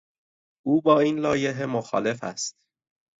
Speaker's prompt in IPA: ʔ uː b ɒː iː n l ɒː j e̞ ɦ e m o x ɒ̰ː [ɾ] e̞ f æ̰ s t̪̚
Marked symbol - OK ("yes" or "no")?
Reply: no